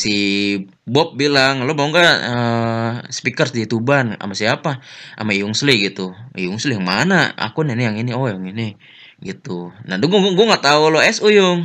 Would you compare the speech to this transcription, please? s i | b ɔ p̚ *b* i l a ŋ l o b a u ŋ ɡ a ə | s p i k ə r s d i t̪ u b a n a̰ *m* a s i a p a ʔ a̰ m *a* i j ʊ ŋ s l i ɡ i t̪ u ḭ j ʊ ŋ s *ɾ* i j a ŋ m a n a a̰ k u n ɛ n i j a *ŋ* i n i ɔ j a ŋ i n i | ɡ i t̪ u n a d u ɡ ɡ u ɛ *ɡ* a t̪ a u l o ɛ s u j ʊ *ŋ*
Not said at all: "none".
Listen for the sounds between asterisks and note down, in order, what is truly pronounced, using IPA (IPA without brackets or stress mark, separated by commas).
b, m, a, l, ŋ, ŋ, ŋ